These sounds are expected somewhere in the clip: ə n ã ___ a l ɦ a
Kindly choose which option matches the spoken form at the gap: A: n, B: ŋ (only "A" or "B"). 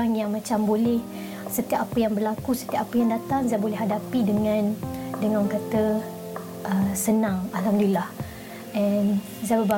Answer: B